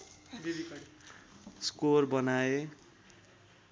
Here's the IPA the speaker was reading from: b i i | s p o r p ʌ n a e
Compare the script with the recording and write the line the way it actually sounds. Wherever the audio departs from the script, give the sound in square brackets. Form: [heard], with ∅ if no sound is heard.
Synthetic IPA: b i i | s [k] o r [b] ʌ n a e